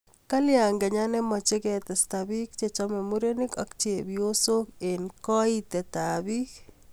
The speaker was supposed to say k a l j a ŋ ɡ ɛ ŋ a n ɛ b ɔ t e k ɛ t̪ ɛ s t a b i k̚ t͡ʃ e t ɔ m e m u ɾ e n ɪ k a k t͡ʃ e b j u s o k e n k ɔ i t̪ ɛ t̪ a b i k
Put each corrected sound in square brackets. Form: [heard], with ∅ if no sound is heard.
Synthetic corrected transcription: k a l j a ŋ ɡ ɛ [ɲ] a n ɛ [m] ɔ [t͡ʃ] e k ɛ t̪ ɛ s t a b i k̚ t͡ʃ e [t͡ʃ] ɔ m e m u ɾ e n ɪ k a k t͡ʃ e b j [o] s o k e n k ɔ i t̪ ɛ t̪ a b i k